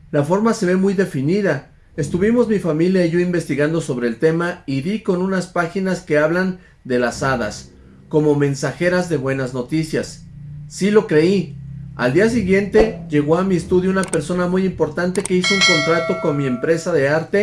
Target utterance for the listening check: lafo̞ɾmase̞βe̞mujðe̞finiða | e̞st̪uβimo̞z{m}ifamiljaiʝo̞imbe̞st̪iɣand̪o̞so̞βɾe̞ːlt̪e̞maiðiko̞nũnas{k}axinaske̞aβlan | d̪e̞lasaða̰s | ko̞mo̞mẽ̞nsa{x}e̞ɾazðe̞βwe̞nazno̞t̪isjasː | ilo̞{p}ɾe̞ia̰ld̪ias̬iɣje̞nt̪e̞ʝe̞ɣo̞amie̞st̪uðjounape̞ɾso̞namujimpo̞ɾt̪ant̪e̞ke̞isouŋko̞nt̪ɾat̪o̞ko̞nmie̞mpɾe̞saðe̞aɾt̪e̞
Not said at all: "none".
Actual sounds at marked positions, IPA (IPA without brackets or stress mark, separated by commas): m, p, x, k